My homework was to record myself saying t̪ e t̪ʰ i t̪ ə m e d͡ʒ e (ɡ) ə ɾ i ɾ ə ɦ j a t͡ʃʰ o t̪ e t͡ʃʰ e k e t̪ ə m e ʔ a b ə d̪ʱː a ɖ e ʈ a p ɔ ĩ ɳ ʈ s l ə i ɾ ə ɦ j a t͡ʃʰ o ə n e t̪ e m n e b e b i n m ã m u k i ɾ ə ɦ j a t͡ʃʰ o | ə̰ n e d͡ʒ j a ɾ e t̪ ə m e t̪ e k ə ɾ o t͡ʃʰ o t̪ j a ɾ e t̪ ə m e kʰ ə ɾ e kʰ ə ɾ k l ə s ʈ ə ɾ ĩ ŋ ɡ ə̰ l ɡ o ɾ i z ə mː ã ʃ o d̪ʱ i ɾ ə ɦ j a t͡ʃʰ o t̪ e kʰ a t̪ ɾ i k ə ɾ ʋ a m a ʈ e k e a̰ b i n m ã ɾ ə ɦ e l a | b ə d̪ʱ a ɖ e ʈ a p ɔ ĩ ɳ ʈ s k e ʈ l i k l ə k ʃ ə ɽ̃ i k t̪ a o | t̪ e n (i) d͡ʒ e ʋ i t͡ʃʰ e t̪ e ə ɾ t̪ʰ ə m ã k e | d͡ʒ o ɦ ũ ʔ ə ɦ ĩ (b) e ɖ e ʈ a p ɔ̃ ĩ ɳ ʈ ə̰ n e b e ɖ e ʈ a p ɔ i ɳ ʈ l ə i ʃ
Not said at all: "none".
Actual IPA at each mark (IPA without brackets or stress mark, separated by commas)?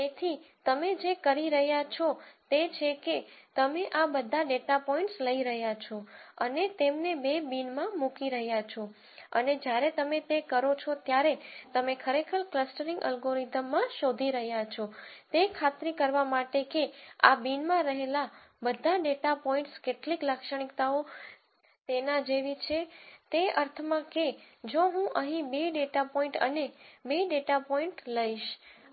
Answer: k, a, b